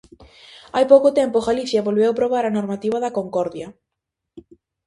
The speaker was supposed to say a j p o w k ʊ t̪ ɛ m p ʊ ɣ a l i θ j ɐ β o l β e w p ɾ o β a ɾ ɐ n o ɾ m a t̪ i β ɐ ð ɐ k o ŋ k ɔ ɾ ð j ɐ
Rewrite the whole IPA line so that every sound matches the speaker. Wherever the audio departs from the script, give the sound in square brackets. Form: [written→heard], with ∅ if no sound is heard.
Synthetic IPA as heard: a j p o w k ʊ t̪ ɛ m p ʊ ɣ a l i θ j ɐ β o l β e w p ɾ o β a ɾ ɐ n o ɾ m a t̪ i β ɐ ð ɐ k o ŋ k ɔ ɾ ð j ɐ